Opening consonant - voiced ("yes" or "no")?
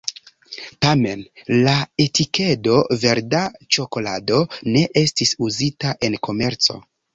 no